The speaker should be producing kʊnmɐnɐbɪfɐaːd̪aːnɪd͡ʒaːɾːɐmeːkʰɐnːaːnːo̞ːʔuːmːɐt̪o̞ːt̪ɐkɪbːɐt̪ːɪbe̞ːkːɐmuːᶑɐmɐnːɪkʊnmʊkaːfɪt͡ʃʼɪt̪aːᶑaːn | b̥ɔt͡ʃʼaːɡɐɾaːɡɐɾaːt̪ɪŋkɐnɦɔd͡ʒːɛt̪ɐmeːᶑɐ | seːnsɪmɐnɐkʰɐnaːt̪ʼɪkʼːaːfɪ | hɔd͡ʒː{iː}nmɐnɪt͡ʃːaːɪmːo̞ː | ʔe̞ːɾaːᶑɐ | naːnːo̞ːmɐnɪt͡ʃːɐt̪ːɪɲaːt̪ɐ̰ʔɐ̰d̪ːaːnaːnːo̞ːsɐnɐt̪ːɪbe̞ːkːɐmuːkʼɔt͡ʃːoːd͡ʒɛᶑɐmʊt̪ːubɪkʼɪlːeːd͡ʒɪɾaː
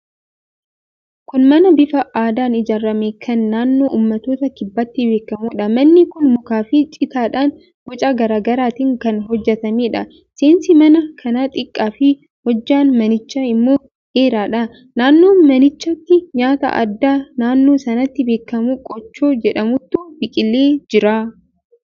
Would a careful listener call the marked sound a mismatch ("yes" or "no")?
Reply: yes